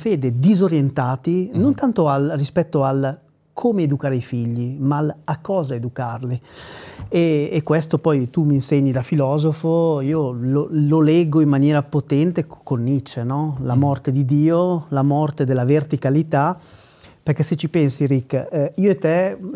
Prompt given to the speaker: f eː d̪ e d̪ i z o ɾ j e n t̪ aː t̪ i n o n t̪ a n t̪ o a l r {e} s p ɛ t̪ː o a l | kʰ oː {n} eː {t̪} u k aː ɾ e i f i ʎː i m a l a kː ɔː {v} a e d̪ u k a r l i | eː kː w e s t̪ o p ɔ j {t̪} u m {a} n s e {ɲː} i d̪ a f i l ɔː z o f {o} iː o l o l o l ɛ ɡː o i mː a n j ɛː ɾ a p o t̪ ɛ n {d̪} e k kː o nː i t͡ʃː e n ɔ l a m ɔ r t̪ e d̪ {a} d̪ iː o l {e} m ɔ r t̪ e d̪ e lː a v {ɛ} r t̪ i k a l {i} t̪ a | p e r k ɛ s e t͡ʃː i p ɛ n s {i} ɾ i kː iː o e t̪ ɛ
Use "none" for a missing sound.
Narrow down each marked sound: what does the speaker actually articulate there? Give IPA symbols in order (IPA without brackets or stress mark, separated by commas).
i, m, d̪, z, t̪, i, ɲː, o, t̪, i, a, e, i, i